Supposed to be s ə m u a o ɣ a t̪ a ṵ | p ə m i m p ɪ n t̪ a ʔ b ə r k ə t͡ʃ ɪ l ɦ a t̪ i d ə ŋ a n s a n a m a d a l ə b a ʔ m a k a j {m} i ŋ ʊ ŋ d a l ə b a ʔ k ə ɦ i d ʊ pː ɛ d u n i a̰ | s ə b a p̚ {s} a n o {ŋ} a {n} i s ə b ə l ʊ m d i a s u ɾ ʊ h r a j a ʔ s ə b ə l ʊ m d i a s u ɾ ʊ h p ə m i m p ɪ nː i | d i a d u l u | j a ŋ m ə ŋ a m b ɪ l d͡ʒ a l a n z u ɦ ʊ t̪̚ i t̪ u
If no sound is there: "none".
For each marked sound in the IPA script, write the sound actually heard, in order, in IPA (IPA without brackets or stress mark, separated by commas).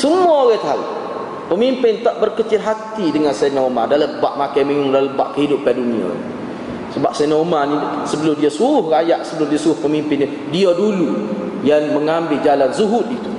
m, s, m, n